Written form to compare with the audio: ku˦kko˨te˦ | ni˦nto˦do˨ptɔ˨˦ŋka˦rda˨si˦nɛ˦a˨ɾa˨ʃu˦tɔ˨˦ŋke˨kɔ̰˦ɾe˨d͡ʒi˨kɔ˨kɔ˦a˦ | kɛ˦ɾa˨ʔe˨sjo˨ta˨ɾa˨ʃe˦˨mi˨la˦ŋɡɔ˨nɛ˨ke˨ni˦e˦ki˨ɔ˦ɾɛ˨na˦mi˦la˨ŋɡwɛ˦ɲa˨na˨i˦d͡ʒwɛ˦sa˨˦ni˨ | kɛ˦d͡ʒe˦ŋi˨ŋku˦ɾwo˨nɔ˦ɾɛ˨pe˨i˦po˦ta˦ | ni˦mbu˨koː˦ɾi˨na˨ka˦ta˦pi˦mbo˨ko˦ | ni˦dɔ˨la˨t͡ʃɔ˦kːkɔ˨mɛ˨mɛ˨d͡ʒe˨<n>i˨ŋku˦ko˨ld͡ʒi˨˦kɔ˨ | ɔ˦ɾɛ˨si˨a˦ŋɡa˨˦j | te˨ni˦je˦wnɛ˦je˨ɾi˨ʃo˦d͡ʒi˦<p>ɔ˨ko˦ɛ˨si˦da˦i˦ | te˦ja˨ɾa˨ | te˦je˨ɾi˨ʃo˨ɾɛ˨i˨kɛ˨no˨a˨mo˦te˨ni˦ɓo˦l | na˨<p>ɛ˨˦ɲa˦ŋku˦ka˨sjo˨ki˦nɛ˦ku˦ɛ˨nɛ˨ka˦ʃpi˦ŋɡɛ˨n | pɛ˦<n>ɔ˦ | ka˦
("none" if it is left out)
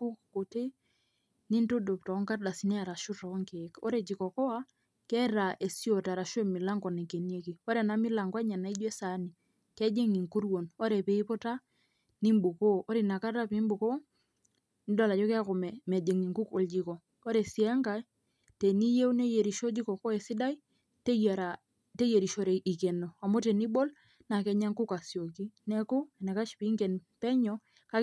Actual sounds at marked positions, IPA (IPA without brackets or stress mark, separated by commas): ŋ, k, k, ɲ